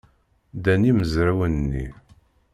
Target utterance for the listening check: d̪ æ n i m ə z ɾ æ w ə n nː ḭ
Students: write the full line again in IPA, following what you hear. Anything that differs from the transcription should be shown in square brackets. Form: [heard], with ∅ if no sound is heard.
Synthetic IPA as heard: d̪ æ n i m ə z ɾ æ w ə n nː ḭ